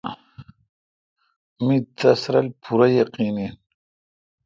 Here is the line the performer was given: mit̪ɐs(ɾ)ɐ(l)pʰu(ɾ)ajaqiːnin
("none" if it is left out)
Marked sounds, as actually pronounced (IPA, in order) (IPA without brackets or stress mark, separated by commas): ɾ, l, ɾ